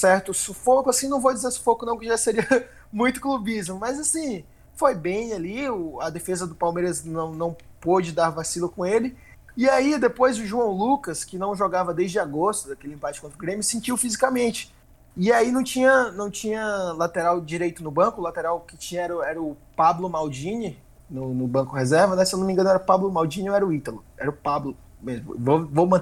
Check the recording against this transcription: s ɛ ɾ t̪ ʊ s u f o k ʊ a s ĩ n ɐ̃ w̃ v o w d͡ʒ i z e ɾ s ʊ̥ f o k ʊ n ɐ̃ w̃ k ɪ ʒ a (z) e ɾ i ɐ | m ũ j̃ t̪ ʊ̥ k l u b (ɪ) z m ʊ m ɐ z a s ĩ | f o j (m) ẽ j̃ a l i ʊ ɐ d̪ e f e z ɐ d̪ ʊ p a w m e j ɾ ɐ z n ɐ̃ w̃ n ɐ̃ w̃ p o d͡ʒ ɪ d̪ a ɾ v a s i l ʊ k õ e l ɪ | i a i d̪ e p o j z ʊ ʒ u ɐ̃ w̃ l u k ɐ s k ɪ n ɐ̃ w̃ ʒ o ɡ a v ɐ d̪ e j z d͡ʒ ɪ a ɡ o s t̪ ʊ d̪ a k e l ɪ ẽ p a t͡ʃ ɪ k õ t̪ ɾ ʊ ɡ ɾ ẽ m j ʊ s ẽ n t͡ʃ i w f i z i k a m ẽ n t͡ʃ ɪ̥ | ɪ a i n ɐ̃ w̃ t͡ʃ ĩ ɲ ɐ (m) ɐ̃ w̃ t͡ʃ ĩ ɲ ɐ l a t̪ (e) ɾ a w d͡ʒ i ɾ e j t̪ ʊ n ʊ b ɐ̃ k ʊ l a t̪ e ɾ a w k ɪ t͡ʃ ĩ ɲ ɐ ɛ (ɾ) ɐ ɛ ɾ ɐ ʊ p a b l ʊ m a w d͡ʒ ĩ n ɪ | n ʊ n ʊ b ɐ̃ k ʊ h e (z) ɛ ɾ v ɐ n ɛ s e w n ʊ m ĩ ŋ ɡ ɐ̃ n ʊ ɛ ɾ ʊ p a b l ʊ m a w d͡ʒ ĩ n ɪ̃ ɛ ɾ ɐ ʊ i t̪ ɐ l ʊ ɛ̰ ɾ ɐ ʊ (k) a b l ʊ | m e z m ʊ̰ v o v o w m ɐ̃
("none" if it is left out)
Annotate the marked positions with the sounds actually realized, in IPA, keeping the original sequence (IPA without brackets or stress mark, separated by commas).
s, i, b, n, e, ɾ, z, p